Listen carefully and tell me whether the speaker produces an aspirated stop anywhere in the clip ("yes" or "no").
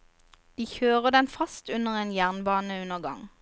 no